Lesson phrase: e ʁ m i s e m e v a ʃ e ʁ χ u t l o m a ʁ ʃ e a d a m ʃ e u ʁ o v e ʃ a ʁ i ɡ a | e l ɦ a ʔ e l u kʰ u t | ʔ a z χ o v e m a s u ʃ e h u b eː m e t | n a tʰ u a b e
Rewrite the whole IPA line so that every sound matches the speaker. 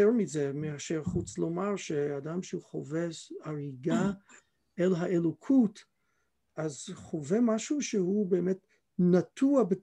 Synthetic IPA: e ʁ m i z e m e a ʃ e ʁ χ u t͡s l o m a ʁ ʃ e a d a m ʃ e u χ o v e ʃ a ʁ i ɡ a | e l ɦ a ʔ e l o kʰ u t | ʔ a z χ o v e m a ʃ u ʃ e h u b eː m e t | n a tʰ u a b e